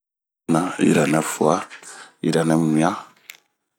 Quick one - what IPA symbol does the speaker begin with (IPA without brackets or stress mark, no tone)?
n